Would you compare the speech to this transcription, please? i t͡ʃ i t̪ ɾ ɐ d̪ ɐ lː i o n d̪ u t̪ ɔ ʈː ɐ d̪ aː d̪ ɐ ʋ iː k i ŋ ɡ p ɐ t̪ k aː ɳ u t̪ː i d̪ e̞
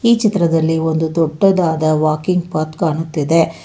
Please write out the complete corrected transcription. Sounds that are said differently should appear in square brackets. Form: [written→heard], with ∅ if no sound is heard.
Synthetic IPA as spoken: [i→iː] t͡ʃ i t̪ ɾ ɐ d̪ ɐ lː i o n d̪ u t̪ ɔ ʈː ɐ d̪ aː d̪ ɐ ʋ [iː→aː] k i ŋ ɡ p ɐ t̪ k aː ɳ u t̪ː i d̪ e̞